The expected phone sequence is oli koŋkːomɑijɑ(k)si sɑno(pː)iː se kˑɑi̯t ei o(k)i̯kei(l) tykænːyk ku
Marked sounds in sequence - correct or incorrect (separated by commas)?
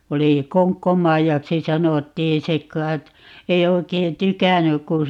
correct, incorrect, incorrect, incorrect